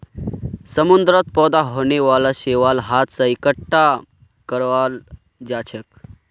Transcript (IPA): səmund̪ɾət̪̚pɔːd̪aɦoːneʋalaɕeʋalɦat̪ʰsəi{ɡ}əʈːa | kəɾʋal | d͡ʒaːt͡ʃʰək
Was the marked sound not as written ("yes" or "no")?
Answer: yes